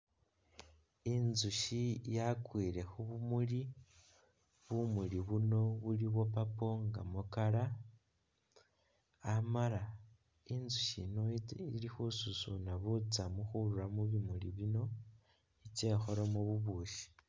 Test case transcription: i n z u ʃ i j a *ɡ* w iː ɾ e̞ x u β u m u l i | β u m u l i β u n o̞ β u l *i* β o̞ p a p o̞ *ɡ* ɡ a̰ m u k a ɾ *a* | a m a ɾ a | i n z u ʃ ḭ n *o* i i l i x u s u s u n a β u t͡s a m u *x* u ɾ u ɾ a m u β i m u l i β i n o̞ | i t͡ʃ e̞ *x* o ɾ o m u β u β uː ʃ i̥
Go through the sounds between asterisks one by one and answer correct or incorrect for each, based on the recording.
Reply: incorrect: k, correct, incorrect: ŋ, correct, correct, correct, correct

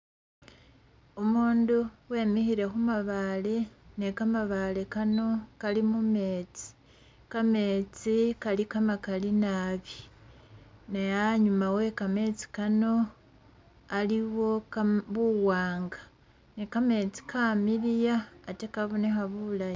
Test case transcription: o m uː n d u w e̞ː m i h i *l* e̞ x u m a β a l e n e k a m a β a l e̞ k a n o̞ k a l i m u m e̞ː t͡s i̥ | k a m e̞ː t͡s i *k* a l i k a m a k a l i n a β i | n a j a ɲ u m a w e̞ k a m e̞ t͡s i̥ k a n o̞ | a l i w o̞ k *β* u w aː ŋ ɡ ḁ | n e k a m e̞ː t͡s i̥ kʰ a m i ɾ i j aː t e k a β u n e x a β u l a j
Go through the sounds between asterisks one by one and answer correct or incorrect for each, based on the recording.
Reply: incorrect: ɾ, correct, correct

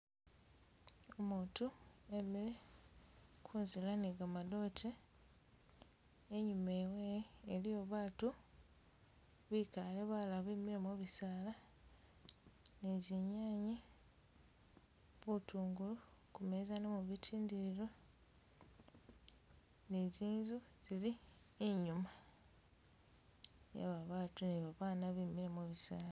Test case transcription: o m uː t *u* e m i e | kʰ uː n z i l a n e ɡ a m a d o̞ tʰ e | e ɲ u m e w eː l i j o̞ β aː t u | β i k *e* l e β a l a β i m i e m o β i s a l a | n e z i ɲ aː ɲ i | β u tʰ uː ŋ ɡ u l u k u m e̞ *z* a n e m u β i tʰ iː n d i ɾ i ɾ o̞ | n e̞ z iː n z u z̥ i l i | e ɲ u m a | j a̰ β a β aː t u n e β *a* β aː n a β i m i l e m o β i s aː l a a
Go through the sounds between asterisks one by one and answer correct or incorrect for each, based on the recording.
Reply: correct, incorrect: a, correct, correct

